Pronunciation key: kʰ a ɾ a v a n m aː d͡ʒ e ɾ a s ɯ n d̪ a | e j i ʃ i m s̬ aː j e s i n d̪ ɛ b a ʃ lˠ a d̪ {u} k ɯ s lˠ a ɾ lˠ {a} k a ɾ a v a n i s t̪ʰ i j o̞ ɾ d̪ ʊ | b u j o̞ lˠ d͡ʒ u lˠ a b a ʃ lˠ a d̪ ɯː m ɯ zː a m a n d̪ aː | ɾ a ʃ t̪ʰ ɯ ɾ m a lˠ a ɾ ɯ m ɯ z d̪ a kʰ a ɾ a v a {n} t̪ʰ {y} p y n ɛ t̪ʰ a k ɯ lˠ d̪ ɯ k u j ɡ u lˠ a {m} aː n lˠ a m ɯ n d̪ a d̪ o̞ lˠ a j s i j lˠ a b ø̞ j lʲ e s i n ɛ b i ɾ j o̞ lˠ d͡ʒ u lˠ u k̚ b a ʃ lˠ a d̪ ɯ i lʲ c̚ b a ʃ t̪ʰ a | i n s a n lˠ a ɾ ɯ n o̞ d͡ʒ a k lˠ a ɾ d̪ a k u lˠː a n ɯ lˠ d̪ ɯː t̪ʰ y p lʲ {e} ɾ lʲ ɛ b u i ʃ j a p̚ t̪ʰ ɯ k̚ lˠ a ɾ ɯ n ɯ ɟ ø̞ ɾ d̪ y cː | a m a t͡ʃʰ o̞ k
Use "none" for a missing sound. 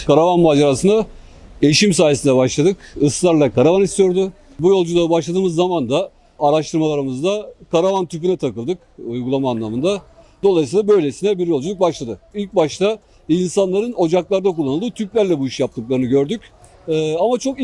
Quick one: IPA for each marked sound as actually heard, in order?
ɯ, a, n, y, m, æ

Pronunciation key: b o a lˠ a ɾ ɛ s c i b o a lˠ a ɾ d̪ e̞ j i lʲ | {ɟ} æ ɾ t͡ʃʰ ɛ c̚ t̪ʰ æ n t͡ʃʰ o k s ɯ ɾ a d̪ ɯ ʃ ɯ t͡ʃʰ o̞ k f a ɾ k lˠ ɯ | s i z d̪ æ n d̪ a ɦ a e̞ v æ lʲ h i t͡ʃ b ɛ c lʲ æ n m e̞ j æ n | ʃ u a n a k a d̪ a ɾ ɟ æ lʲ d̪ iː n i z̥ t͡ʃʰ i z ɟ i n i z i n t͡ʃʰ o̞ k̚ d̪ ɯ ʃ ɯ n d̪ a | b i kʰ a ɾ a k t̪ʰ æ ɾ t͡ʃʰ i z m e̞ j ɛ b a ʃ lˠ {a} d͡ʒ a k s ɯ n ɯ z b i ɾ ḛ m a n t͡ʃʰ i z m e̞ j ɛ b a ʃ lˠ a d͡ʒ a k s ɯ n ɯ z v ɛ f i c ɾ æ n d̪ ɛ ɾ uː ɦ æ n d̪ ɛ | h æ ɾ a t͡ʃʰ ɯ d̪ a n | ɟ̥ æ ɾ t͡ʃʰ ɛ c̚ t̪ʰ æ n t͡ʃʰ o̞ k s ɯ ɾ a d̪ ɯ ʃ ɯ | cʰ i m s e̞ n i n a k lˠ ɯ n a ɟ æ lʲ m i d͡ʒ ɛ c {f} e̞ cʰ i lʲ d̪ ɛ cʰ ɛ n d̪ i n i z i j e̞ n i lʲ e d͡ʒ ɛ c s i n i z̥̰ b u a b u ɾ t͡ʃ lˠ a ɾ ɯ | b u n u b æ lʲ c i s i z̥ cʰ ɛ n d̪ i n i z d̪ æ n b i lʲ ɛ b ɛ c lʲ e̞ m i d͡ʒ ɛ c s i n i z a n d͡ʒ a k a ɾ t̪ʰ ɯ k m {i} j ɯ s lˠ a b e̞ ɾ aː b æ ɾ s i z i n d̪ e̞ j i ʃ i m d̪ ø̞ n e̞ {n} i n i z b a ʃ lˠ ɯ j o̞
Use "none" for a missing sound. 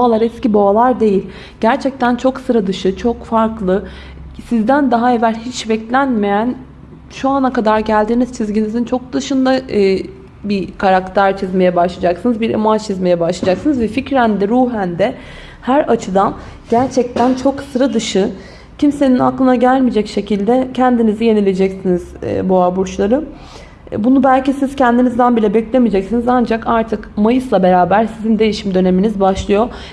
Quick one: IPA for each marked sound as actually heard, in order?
ɟ, a, ʃ, a, m

